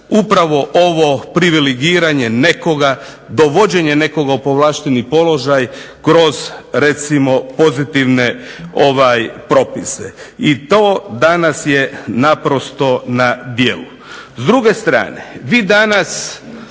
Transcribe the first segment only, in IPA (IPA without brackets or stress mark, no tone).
u